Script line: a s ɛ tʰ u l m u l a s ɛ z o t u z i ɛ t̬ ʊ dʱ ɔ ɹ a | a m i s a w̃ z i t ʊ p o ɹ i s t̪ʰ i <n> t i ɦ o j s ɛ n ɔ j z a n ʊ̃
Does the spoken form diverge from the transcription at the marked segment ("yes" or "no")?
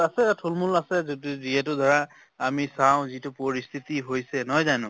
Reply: yes